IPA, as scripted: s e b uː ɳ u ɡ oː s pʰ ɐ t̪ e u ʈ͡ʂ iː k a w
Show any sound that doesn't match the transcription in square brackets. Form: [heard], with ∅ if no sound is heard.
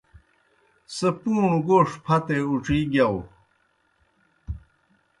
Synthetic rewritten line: s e [p] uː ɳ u ɡ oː [ʂ] pʰ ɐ t̪ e u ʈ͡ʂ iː [ɡ] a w